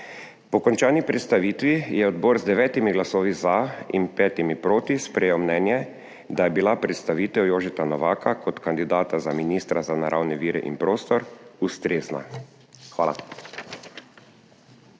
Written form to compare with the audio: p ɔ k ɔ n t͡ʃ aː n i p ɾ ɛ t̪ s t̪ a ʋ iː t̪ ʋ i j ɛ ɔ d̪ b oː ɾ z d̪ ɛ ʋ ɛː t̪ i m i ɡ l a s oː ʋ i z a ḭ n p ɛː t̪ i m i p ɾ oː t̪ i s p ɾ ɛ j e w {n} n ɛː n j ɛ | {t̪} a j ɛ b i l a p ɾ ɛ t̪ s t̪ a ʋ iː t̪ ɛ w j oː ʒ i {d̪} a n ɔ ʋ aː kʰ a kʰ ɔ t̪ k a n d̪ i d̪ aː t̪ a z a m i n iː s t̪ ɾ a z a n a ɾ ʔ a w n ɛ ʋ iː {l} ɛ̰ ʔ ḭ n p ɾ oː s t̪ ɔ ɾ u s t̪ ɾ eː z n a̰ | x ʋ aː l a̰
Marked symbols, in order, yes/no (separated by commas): no, no, no, no